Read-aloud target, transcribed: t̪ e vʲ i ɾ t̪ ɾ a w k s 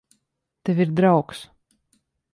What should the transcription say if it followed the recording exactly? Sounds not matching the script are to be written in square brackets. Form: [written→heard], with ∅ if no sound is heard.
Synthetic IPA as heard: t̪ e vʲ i ɾ [t̪→d̪] ɾ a w k s